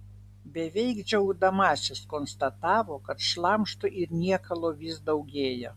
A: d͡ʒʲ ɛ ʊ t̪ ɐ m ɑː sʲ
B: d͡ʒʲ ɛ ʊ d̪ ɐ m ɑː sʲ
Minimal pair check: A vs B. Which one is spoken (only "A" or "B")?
B